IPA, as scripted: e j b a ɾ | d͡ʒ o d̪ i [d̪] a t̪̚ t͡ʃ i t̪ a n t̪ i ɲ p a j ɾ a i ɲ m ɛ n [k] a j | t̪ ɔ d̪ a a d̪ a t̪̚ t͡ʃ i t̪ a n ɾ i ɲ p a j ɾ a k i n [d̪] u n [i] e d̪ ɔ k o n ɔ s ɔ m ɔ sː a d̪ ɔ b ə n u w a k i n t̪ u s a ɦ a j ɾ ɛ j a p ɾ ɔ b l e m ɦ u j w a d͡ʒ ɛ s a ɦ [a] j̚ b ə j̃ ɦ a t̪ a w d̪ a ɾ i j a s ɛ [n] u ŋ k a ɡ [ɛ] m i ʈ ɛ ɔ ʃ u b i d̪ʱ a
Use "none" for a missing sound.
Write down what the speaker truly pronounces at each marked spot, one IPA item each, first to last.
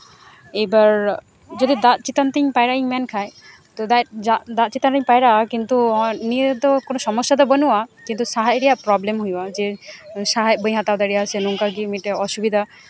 d̪, kʰ, t̪, i, a, n, i

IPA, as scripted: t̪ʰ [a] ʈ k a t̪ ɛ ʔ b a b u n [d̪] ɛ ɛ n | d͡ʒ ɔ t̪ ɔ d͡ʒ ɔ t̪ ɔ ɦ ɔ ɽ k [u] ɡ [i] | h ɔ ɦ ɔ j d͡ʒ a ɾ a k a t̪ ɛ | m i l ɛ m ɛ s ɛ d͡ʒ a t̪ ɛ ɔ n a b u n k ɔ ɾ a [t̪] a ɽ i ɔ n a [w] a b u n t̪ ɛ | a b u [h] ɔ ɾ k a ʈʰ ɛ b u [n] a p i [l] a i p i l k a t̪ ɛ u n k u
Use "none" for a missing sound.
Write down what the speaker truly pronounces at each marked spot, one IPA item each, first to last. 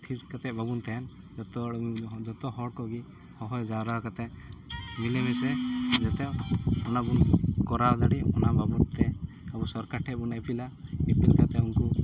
i, t̪, ɔ, i, d̪, b, s, n, l

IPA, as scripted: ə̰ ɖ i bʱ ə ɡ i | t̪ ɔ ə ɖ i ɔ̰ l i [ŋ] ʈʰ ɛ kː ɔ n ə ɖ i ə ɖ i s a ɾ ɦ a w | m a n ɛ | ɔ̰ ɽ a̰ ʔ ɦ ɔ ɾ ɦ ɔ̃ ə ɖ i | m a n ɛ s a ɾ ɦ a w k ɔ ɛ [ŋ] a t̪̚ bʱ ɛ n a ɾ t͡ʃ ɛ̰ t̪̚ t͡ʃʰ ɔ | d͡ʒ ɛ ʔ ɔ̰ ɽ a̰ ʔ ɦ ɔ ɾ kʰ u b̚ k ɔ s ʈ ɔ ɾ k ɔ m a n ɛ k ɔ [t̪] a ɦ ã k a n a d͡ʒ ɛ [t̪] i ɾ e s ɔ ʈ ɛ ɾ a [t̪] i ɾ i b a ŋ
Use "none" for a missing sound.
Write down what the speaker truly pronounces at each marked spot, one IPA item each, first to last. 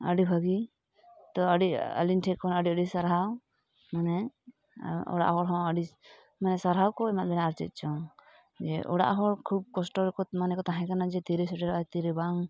n, m, t̪, t̪, t̪

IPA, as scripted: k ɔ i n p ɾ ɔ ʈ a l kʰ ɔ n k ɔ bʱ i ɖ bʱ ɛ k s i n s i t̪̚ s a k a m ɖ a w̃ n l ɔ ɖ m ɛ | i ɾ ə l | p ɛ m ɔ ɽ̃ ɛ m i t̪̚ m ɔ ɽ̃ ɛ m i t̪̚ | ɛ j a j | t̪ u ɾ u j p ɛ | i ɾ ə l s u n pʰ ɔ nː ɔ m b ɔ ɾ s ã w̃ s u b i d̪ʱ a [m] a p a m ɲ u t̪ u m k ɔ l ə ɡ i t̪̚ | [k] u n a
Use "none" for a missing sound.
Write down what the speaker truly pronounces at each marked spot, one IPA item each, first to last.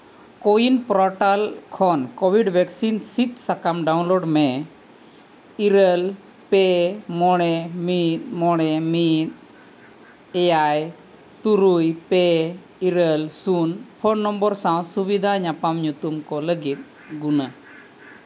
ɲ, ɡ

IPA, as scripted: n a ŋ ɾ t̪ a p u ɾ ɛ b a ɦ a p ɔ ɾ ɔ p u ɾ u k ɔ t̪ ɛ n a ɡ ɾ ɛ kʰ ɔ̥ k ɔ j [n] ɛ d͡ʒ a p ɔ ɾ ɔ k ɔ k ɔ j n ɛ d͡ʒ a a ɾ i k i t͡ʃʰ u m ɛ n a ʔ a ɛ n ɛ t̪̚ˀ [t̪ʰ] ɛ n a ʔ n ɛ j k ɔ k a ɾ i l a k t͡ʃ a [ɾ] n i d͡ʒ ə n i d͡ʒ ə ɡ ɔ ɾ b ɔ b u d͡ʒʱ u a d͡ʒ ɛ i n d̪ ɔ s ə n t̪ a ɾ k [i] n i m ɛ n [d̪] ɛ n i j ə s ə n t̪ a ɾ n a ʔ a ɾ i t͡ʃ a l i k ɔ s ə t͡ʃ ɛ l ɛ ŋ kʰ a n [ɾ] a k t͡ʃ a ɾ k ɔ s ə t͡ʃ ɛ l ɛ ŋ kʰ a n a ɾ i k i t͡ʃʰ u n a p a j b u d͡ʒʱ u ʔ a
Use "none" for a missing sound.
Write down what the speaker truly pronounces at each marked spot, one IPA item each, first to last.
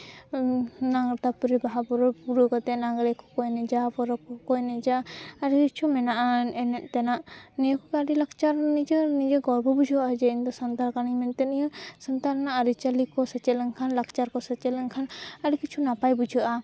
n, t̪, ɾ, a, t̪, l

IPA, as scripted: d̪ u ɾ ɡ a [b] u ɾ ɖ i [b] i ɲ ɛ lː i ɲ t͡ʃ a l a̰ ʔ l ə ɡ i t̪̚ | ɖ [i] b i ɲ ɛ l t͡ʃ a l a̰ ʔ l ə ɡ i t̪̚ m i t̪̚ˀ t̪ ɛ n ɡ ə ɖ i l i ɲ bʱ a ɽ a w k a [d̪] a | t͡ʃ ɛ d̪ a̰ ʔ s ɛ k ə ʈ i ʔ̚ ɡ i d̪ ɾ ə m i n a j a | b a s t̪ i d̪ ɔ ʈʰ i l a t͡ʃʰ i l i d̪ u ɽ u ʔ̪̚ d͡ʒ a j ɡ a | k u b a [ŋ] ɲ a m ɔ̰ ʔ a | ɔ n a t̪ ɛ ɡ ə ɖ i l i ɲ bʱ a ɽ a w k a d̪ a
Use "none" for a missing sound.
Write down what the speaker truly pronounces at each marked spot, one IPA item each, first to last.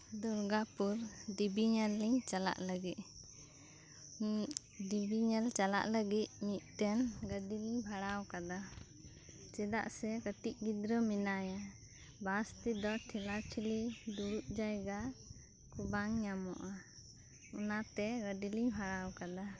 p, b, i, d̪, ŋ

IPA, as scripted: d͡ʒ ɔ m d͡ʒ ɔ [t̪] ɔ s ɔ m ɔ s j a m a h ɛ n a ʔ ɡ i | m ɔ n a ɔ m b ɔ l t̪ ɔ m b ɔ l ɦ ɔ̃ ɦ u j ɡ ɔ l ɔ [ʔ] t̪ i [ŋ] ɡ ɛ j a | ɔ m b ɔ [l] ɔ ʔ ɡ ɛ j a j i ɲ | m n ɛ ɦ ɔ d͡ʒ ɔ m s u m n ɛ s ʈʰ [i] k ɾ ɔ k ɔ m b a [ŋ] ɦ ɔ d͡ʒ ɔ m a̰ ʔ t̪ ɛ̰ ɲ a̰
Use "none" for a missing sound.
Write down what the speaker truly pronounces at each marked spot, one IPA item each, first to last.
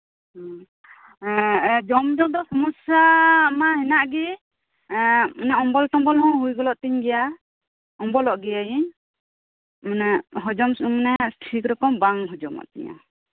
d̪, ʔ, ɲ, l, i, ŋ

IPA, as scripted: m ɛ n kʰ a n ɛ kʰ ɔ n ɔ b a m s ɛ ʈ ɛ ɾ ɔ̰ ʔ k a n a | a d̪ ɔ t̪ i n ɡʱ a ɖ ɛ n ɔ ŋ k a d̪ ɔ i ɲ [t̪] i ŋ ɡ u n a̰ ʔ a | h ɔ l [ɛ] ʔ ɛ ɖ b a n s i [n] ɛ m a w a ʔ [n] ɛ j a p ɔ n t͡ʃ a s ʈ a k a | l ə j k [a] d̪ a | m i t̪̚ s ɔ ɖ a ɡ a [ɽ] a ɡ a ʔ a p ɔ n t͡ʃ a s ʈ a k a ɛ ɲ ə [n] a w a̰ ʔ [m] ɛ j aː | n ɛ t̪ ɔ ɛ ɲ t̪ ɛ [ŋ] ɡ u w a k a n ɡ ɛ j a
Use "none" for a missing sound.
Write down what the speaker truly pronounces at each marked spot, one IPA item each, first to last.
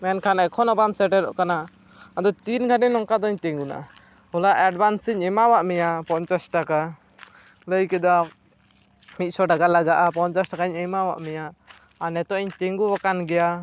t̪, a, ɲ, m, ɛ, l, m, m, ŋ

